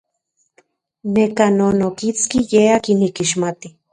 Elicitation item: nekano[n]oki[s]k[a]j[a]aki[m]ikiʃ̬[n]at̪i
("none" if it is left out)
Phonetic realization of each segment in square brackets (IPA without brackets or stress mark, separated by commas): n, t͡s, i, e, n, m